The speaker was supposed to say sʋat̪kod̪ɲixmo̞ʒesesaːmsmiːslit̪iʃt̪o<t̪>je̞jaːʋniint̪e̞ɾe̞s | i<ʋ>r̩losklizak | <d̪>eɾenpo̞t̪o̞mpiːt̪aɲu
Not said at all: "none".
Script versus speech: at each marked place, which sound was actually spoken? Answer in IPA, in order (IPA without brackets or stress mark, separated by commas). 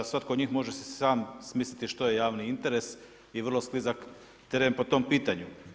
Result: none, ʋ, t̪